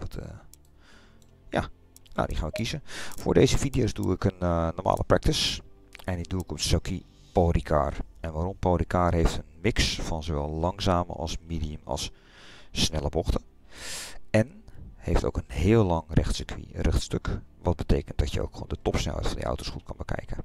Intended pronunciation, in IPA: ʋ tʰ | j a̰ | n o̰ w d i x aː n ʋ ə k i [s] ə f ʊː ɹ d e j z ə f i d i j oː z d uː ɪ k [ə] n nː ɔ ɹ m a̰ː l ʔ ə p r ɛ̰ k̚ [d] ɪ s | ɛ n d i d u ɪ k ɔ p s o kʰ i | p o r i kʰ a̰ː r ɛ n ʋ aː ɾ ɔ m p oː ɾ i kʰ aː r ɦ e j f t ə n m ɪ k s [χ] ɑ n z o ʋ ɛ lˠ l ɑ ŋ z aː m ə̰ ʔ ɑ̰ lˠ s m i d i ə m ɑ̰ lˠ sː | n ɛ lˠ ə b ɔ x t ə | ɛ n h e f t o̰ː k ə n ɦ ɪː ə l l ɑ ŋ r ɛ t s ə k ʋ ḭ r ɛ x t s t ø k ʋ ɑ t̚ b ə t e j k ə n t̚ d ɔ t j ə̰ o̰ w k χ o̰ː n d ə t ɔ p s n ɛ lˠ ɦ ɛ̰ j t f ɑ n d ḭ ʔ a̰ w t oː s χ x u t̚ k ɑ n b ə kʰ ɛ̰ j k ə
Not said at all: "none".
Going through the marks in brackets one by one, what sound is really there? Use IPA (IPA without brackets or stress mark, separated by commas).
z, ə, t, f